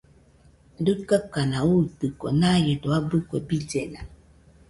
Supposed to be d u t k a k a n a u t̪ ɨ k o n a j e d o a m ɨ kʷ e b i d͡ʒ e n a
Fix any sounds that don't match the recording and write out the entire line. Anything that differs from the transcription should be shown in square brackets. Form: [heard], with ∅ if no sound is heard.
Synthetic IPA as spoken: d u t k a k a n a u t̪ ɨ k o n a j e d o a [b] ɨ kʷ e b i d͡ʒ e n a